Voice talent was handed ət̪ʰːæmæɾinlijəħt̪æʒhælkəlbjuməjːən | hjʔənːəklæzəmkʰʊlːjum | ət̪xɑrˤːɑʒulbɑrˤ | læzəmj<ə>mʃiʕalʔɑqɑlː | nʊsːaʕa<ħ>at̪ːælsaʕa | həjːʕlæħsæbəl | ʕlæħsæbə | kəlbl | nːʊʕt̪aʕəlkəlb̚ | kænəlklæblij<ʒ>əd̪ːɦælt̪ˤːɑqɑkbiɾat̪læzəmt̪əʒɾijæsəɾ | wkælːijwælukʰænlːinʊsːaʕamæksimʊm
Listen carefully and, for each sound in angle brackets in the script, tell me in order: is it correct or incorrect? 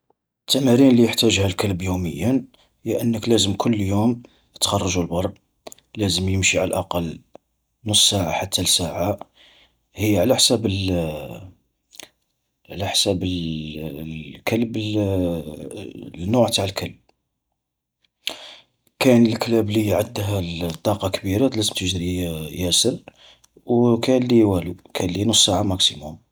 correct, correct, incorrect

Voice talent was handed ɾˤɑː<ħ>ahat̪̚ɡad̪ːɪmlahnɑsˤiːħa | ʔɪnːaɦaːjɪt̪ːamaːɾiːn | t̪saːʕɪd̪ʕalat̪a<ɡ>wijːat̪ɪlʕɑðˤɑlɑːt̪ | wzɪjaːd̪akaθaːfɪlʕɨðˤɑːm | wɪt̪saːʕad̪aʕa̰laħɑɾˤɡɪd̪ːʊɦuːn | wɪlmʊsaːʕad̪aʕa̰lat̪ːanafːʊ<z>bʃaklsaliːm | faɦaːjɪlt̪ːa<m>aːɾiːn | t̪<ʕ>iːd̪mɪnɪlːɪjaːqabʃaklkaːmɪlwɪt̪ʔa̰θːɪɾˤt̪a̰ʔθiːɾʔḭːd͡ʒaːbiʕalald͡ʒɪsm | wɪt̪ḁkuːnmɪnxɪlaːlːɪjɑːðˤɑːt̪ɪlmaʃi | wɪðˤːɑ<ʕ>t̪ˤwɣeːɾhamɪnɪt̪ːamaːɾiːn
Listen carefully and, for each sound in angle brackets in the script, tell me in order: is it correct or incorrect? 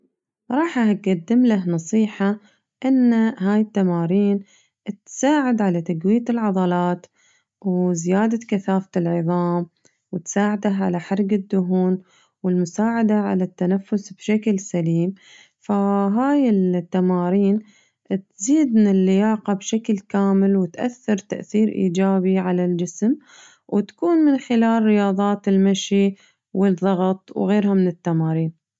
correct, correct, incorrect, correct, incorrect, incorrect

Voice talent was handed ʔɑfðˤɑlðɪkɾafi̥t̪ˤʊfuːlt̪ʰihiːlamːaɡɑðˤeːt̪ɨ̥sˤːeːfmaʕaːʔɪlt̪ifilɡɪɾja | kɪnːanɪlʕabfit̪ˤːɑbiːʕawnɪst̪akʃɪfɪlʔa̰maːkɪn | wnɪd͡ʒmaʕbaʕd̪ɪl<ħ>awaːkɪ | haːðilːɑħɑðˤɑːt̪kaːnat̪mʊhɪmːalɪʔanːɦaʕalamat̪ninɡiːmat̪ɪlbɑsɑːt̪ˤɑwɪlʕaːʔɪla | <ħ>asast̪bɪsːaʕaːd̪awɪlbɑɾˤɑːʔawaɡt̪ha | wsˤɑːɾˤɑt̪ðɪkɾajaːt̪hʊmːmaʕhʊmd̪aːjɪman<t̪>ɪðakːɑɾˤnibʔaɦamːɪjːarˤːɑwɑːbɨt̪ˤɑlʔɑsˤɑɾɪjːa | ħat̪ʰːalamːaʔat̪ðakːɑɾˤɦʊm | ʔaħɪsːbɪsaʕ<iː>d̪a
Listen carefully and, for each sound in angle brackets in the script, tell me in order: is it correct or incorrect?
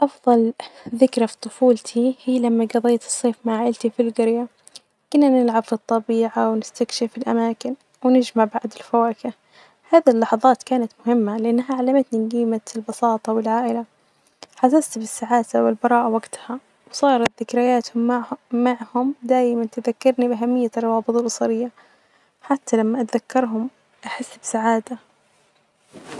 incorrect, correct, correct, incorrect

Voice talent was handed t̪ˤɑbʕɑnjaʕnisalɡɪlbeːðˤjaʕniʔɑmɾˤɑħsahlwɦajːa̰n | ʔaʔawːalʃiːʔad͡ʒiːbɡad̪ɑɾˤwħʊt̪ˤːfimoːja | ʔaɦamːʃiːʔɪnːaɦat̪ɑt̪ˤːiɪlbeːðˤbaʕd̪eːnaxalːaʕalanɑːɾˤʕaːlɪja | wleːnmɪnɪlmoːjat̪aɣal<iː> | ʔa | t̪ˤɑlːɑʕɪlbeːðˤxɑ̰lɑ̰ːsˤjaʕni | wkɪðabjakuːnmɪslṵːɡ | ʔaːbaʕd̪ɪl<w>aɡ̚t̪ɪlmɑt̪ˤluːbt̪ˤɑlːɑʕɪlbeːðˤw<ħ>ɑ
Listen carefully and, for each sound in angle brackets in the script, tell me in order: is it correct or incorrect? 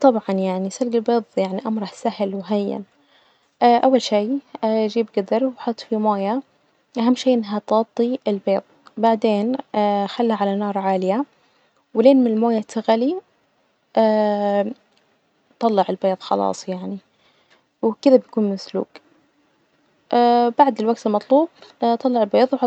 incorrect, correct, correct

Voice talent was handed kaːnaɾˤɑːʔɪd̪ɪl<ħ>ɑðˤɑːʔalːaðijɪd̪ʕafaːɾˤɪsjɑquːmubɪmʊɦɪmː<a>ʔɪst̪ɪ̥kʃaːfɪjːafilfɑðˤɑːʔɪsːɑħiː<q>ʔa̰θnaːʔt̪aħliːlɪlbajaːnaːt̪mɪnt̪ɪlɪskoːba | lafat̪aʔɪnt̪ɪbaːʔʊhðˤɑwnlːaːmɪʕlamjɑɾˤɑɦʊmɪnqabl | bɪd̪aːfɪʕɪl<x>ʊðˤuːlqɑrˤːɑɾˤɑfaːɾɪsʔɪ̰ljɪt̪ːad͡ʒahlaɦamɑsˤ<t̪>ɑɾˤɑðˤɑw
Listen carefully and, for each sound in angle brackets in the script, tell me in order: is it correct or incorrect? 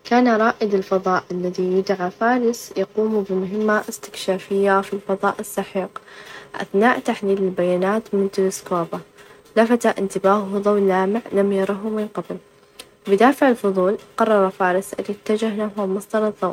incorrect, correct, correct, incorrect, incorrect

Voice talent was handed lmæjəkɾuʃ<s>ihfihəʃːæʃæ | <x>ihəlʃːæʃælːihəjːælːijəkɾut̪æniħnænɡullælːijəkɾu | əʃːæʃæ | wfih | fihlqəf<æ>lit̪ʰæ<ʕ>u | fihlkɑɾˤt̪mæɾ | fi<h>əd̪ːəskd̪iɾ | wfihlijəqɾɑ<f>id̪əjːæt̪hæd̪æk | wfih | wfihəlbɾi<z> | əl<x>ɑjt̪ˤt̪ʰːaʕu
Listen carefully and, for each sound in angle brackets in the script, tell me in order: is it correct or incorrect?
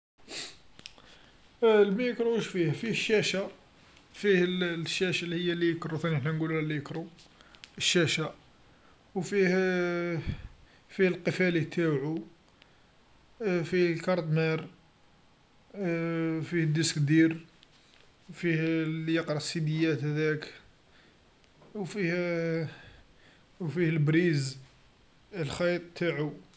incorrect, incorrect, correct, correct, correct, incorrect, correct, correct

